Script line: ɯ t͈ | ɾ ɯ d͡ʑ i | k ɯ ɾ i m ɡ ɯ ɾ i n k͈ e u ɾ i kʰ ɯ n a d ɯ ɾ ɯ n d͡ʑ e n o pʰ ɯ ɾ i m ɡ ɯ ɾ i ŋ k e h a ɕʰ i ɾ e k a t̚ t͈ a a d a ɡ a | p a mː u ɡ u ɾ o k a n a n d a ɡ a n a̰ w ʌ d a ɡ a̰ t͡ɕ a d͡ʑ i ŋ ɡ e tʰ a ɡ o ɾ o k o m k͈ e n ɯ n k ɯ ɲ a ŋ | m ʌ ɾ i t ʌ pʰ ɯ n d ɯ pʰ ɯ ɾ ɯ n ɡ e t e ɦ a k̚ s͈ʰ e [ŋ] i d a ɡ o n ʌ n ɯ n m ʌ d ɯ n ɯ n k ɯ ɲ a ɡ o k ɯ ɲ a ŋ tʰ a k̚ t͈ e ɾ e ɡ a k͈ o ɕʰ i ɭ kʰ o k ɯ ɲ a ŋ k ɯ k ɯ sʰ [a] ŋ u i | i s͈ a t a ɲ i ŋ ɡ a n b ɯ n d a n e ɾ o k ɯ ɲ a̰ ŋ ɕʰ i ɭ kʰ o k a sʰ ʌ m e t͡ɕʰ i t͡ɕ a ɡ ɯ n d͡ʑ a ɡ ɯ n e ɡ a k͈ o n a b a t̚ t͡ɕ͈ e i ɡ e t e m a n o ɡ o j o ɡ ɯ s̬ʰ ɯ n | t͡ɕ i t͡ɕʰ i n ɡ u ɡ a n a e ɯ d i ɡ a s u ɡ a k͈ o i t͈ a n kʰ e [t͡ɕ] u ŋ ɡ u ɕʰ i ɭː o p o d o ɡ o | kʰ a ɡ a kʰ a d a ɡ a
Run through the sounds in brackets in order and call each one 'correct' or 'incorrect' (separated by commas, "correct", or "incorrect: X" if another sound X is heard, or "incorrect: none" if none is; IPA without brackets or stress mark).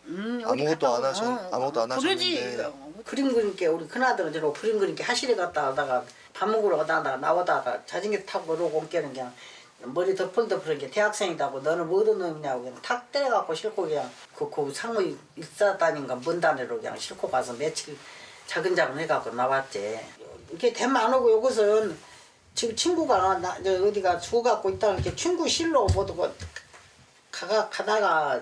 correct, correct, incorrect: t͡ɕʰ